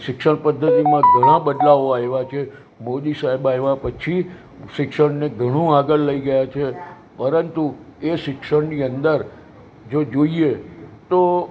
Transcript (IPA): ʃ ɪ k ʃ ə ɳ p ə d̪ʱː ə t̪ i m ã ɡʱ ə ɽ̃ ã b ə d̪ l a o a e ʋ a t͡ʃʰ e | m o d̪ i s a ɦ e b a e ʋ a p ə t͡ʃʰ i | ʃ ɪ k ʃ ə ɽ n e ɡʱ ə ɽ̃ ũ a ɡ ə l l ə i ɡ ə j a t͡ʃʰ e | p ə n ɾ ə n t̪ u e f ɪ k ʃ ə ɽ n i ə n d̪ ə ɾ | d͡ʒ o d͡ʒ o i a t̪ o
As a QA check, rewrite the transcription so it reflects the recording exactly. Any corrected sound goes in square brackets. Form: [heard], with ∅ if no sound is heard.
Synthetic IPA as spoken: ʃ ɪ k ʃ ə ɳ p ə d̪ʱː ə t̪ i m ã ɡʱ ə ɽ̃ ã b ə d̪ l a o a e ʋ a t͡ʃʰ e | m o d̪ i s a ɦ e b a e ʋ a p ə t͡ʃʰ i | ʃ ɪ k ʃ ə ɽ n e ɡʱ ə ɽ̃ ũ a ɡ ə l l ə i ɡ ə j a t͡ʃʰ e | p ə [∅] ɾ ə n t̪ u e [ʃ] ɪ k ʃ ə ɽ n i ə n d̪ ə ɾ | d͡ʒ o d͡ʒ o i [e] t̪ o